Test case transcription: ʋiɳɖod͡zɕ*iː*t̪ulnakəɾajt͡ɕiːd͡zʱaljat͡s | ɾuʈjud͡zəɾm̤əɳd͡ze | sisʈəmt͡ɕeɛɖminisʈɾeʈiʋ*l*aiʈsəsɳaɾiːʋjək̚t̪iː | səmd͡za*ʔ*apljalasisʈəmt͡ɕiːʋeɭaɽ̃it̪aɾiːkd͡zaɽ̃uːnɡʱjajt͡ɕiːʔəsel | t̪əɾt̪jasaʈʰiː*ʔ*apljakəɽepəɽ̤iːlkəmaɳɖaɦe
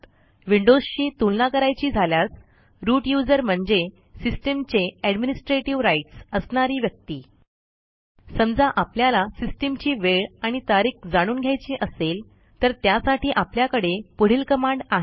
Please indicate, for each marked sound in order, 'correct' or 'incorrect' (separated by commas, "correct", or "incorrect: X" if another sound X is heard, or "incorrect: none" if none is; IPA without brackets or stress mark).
correct, incorrect: ɾ, correct, correct